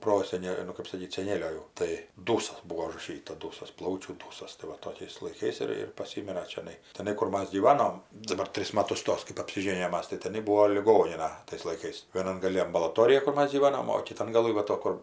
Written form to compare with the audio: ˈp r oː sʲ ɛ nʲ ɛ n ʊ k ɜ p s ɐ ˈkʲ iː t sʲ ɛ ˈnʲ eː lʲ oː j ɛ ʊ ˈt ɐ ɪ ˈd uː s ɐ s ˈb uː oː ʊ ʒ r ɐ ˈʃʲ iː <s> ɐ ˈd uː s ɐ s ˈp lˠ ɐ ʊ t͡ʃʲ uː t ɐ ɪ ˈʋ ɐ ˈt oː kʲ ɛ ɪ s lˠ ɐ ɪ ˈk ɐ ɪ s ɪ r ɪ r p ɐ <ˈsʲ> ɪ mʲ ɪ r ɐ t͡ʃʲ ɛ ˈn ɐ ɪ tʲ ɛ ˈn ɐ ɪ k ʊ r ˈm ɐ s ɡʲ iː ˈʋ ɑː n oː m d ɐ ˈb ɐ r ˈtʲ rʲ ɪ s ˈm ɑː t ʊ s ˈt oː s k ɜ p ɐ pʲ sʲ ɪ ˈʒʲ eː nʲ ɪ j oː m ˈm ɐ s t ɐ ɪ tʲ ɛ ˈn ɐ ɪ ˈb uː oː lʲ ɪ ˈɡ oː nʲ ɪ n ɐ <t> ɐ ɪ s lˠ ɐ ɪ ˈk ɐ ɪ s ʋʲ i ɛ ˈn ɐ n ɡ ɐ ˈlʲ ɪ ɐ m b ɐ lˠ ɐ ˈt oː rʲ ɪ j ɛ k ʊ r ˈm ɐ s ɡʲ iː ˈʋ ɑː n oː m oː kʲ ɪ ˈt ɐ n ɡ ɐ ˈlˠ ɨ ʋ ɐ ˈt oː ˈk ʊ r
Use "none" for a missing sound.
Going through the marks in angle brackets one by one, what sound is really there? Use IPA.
t, sʲ, t

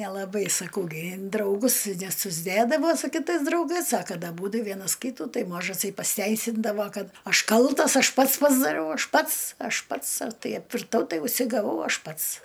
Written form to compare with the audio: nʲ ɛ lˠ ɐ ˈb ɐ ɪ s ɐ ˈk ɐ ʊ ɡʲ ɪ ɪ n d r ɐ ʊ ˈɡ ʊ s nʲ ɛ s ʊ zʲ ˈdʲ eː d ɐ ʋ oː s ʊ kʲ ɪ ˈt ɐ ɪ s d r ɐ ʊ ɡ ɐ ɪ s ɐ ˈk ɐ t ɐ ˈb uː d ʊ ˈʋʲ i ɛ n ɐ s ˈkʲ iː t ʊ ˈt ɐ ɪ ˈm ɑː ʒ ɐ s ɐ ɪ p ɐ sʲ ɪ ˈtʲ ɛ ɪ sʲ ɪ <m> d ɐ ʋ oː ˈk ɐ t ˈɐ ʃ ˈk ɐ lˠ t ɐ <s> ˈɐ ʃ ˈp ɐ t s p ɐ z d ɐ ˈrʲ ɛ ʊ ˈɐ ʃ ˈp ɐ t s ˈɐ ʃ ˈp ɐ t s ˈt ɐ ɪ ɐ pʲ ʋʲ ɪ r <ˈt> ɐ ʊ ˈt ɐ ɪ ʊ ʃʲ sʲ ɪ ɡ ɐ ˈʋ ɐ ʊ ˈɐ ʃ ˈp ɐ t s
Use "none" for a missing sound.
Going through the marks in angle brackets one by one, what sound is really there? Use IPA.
n, s, t

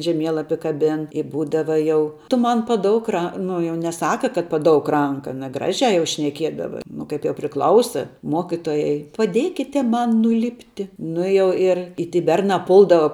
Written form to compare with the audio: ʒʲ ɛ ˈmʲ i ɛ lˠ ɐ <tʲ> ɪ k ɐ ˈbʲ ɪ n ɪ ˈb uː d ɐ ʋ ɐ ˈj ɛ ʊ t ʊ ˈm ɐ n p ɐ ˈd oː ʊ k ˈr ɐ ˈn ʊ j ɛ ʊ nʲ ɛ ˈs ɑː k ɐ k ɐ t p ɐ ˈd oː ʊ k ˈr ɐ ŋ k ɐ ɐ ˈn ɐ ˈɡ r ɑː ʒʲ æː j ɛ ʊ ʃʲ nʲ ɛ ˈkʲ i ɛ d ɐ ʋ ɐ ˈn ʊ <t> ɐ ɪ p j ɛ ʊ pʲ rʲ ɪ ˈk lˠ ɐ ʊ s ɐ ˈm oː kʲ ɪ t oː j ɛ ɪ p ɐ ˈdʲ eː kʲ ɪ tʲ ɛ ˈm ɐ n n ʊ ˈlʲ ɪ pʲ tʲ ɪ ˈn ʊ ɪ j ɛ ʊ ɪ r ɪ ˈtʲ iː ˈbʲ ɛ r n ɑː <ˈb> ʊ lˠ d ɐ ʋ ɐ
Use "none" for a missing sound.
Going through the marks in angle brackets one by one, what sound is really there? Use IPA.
pʲ, k, p

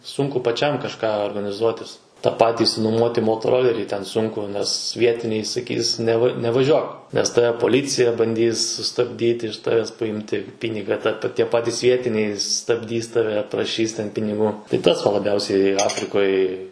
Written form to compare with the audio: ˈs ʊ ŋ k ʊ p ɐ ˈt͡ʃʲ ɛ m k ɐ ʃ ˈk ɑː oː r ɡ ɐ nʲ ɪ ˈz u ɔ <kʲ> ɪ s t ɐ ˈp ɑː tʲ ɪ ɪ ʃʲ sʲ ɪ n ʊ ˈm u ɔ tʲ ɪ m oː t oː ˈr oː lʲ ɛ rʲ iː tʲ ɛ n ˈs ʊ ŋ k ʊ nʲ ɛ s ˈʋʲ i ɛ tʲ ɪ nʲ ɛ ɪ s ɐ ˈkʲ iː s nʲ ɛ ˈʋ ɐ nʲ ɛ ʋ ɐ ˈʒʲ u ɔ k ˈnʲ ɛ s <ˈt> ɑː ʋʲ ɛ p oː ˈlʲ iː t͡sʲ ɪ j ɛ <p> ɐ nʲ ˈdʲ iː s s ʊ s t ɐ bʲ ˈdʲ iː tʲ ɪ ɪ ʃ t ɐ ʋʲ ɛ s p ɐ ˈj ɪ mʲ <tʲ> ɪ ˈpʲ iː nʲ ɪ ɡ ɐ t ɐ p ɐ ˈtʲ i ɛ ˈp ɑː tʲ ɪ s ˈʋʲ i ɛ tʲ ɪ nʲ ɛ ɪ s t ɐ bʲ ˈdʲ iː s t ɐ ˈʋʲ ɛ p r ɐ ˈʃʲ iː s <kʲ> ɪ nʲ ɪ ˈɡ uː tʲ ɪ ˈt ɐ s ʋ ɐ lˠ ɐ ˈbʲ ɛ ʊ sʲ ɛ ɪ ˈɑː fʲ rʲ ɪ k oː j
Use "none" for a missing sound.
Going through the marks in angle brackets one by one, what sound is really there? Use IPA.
tʲ, t, b, tʲ, pʲ

